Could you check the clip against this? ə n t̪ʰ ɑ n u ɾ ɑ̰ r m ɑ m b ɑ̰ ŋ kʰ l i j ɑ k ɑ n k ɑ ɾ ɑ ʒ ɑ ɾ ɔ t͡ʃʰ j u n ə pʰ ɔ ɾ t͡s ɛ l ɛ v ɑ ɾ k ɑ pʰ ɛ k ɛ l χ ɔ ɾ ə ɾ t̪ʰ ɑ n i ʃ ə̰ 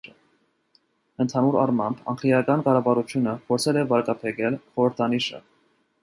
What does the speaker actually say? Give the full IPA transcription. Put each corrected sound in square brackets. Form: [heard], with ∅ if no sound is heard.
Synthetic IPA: ə n t̪ʰ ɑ n u ɾ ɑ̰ r m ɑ m b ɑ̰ ŋ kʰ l i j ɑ k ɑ n k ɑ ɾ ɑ [v] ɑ ɾ [u] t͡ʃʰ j u n ə pʰ ɔ ɾ [t͡sʰ] ɛ l ɛ v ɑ ɾ k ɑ pʰ ɛ k ɛ l χ ɔ ɾ ə ɾ t̪ʰ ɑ n i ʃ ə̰